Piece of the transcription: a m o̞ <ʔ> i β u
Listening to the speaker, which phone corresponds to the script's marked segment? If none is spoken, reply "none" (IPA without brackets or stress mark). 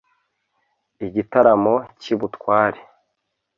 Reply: c